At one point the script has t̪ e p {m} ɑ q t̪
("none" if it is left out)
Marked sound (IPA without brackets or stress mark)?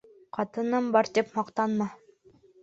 m